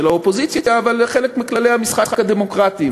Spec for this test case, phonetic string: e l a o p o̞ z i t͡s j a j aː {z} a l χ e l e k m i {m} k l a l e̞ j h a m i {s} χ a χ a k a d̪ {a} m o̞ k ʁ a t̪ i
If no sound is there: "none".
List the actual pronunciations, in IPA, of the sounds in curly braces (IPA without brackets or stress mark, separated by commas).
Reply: v, none, s, e